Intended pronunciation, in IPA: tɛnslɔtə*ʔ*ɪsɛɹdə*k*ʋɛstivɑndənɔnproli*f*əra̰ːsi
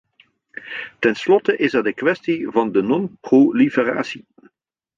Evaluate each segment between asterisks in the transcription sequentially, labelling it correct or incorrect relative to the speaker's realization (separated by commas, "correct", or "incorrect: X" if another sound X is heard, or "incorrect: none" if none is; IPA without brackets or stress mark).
correct, correct, correct